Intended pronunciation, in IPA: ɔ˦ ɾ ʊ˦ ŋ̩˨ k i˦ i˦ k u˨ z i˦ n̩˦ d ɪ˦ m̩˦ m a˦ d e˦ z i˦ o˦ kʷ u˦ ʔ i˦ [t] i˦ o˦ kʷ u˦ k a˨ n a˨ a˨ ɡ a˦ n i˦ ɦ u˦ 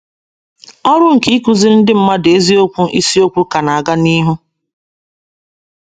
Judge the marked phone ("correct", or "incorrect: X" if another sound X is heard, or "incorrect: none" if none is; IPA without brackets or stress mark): incorrect: s